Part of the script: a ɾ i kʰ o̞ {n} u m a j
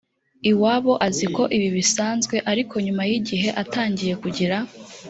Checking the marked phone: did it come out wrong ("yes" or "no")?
yes